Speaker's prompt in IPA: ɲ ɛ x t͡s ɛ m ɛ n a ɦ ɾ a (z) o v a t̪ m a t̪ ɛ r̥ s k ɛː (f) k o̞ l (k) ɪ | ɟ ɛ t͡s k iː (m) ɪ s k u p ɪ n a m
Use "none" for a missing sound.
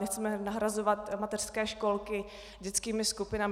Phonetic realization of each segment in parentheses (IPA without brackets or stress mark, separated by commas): z, ʃ, k, m